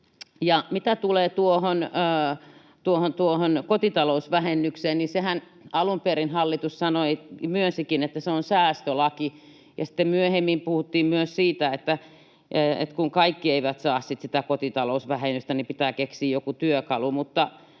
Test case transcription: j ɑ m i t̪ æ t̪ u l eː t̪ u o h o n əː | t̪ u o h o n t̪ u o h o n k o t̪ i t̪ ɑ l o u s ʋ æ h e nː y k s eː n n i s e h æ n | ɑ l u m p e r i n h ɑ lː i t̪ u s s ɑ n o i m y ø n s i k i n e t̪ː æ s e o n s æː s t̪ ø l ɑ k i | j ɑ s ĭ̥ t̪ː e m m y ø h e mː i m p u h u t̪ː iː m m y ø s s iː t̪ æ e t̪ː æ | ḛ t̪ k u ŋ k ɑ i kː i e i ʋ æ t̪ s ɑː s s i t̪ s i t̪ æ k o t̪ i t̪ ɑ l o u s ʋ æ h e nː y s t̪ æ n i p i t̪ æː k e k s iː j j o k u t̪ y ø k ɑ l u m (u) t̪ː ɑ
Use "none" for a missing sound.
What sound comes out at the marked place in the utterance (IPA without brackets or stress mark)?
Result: u